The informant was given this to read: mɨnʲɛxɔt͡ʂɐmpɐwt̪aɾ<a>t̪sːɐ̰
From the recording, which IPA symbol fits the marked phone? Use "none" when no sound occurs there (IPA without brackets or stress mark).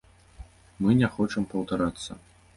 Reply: a